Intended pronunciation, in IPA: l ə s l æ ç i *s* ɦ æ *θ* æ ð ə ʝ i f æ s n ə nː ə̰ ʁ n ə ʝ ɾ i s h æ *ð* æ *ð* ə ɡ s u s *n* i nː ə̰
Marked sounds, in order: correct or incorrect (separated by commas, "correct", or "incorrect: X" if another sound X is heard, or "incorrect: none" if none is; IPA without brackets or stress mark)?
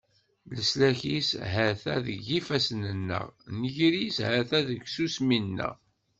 correct, correct, incorrect: θ, correct, incorrect: m